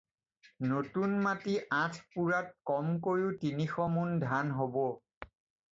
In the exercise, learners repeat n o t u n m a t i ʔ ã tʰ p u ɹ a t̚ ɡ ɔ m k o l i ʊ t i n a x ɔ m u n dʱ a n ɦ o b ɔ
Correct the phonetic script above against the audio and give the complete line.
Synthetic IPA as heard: n o t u n m a t i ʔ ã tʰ p u ɹ a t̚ k ɔ m k o ɹ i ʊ t i n i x ɔ m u n dʱ a n ɦ o b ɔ